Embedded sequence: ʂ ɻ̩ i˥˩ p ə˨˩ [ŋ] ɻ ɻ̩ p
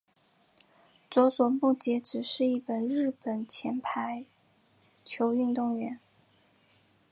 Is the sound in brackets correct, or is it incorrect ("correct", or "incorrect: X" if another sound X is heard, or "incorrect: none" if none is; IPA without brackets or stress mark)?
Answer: incorrect: n